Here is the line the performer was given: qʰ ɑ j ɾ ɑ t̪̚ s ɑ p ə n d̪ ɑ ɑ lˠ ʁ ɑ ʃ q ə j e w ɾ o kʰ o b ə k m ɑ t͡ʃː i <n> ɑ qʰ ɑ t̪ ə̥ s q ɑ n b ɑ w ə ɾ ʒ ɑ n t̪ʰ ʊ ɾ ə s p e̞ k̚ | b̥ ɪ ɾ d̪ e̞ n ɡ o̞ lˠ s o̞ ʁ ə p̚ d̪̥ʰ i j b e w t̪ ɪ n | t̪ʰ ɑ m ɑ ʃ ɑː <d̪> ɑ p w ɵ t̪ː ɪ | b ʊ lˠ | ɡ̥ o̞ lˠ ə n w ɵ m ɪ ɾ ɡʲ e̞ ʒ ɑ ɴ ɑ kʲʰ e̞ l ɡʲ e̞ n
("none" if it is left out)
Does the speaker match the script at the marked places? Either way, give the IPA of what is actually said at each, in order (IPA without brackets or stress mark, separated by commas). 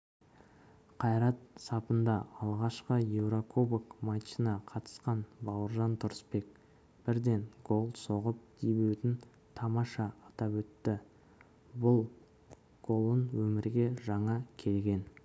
n, t̪